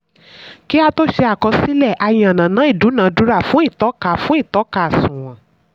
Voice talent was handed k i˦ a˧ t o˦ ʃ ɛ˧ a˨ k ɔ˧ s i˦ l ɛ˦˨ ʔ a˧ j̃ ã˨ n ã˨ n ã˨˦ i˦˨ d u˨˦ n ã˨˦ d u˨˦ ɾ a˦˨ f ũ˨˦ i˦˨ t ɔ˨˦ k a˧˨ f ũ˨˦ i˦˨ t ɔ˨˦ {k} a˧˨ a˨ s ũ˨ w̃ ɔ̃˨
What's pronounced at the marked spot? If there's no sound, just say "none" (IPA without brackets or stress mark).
k